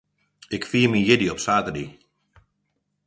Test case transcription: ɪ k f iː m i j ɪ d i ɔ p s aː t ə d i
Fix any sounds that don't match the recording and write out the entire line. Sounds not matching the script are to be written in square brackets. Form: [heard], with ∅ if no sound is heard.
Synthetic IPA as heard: ɪ k f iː m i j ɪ d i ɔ p s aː t ə d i